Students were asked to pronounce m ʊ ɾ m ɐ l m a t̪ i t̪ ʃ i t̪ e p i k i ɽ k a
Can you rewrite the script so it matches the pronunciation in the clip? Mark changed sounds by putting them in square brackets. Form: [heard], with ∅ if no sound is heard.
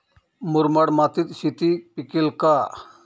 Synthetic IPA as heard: m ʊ ɾ m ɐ [ɽ] m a t̪ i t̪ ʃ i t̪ [i] p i k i [l] k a